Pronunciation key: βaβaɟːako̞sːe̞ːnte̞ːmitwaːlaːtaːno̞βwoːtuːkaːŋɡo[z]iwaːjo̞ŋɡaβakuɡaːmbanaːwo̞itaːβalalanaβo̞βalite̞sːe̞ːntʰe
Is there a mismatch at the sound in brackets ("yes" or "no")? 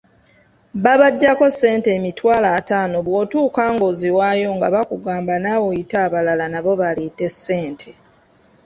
no